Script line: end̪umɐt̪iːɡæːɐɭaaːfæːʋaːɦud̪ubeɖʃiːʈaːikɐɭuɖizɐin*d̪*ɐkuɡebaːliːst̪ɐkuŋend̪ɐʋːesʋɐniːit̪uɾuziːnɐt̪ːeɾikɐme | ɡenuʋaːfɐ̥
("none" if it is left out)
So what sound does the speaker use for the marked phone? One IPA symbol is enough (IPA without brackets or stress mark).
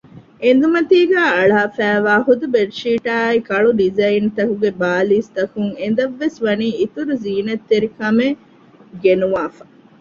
t̪